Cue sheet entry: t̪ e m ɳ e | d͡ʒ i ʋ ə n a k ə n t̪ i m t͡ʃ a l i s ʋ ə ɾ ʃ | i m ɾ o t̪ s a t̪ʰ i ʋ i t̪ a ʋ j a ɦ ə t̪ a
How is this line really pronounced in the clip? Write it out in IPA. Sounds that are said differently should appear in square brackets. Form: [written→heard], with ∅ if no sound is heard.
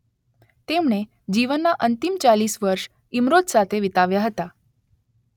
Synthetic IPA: t̪ e m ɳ e | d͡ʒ i ʋ ə [n→nː] a [k→ʔ] ə n t̪ i m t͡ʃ a l i s ʋ ə ɾ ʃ | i m ɾ o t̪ s a t̪ʰ [i→e] ʋ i t̪ a ʋ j a ɦ ə t̪ a